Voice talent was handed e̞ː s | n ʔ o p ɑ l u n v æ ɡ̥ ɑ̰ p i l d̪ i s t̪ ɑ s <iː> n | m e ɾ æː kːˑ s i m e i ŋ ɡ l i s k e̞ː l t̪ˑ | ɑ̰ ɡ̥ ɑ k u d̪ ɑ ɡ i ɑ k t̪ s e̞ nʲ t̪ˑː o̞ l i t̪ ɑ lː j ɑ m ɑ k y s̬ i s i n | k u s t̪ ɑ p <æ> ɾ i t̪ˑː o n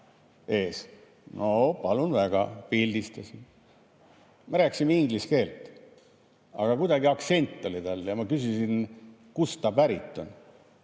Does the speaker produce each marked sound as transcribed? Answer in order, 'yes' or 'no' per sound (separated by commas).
no, yes